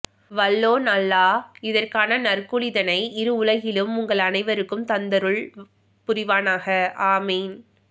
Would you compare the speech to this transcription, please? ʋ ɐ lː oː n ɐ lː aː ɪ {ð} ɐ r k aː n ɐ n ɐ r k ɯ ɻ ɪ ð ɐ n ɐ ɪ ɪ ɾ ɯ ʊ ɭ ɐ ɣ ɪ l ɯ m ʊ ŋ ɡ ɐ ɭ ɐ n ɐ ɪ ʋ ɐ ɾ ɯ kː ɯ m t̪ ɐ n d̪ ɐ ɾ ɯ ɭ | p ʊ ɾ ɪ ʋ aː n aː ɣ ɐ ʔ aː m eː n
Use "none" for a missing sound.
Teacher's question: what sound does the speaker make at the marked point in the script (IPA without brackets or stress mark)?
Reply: ð